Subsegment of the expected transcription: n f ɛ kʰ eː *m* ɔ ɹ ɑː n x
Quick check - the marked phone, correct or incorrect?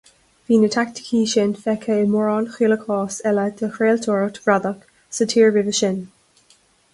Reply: correct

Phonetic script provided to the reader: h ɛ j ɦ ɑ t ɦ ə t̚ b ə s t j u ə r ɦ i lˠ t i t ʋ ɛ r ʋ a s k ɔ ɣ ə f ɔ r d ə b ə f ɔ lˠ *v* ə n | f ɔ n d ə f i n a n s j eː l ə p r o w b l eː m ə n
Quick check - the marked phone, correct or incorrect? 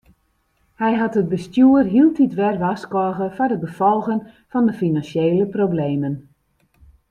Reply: incorrect: ɣ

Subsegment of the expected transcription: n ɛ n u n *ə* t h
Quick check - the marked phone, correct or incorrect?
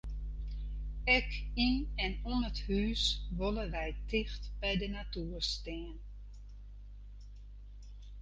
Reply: correct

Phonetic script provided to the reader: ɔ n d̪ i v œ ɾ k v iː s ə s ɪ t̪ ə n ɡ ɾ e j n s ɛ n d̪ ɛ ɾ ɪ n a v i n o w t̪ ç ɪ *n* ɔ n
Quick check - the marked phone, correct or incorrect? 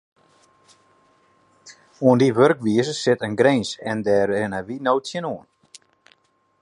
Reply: correct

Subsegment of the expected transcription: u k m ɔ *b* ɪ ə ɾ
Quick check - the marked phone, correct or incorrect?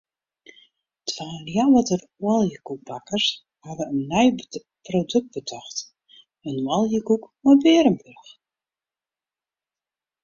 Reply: correct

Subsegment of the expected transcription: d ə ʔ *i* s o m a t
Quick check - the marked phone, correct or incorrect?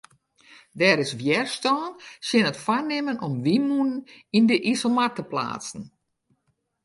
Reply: correct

